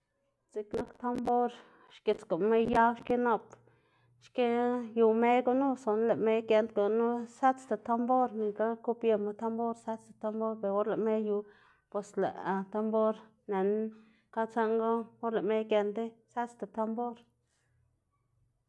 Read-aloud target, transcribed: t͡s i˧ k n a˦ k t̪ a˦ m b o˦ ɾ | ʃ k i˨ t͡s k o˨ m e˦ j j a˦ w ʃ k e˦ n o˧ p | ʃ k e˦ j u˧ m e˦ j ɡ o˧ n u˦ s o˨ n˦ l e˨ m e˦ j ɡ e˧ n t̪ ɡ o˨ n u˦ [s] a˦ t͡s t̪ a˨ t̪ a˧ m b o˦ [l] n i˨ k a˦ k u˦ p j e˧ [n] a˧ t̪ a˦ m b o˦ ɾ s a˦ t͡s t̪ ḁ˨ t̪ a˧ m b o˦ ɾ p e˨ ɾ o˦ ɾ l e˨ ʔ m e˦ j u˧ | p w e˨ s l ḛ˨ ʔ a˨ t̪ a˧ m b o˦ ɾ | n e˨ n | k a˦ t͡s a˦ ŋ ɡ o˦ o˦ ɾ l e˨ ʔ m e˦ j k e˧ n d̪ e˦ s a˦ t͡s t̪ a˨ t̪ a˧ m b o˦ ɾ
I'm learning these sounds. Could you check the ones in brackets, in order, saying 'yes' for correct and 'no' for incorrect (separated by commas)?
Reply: yes, no, no